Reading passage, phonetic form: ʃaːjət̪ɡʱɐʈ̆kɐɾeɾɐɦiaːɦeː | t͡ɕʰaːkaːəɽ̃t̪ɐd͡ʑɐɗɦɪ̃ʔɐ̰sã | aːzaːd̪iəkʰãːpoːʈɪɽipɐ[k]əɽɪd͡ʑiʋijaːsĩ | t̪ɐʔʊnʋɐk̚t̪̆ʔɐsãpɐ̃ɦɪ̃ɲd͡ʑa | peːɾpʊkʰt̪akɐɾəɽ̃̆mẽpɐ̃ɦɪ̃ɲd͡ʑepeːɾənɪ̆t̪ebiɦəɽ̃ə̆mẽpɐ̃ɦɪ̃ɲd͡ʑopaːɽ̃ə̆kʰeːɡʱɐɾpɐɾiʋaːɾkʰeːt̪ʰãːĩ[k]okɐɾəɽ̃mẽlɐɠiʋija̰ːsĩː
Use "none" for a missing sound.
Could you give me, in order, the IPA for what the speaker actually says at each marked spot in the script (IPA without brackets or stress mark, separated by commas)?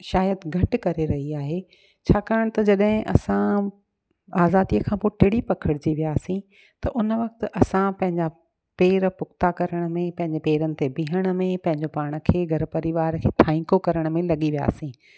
kʰ, k